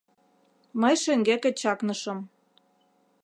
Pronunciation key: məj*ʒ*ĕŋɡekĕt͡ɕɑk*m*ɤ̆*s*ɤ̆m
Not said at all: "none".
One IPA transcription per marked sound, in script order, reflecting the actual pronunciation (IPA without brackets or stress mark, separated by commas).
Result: ʃ, n, ʃ